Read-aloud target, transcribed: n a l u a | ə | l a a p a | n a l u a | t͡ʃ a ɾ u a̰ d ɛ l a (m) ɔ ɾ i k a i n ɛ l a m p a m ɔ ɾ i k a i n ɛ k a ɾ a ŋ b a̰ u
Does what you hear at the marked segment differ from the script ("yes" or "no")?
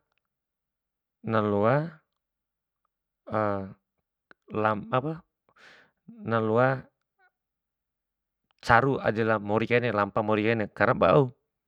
no